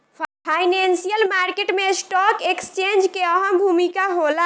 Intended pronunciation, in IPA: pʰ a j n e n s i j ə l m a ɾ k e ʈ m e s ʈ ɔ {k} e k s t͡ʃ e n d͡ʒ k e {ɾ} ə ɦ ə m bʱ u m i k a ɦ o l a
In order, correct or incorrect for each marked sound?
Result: correct, incorrect

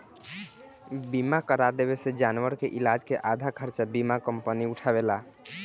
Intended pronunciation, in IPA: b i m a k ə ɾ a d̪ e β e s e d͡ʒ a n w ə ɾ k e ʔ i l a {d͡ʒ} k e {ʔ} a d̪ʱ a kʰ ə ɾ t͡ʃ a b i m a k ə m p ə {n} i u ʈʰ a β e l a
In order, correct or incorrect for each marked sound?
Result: correct, correct, correct

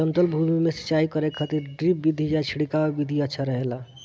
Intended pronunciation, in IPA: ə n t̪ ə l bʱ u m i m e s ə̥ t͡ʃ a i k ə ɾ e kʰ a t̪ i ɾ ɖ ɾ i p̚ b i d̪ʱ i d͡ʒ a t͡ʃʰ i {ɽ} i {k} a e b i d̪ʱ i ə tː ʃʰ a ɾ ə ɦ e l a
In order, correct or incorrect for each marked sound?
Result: correct, correct

